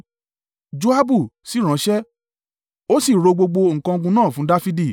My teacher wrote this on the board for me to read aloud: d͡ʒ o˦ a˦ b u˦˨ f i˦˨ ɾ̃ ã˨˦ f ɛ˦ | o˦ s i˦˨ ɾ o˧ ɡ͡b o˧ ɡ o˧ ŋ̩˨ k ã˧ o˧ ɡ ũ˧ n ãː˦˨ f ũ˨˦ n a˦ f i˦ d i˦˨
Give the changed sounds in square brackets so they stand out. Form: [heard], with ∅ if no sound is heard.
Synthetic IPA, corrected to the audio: d͡ʒ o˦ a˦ b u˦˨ [s] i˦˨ ɾ̃ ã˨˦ [ʃ] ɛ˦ | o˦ s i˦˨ ɾ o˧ ɡ͡b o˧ [ɡ͡b] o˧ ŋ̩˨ k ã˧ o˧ ɡ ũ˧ n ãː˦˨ f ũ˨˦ [d] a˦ f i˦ d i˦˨